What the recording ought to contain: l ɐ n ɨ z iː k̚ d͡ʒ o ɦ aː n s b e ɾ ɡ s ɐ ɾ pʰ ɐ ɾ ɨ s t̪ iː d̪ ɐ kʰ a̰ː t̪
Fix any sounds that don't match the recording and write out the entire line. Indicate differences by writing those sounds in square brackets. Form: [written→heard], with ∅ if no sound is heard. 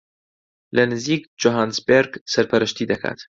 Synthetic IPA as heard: l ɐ n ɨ z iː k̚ d͡ʒ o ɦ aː n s b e ɾ ɡ s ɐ ɾ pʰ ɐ ɾ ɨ [s→ʃ] t̪ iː d̪ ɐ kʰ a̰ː t̪